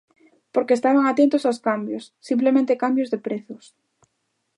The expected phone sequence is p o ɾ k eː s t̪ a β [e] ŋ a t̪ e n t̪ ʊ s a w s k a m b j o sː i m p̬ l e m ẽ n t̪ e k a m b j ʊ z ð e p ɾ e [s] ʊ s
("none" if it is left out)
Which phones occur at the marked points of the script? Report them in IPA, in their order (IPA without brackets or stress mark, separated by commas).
a, θ